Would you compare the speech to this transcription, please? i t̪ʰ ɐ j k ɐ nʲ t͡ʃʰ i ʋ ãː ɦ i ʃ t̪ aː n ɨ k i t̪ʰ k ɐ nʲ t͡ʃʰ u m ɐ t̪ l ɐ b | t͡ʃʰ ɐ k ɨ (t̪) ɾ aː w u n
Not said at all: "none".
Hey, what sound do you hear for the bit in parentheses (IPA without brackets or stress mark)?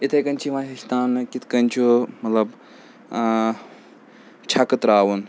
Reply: t̪